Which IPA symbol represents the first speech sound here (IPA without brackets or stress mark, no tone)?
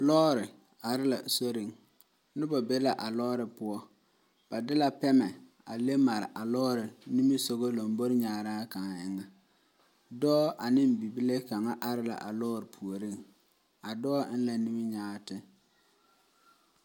l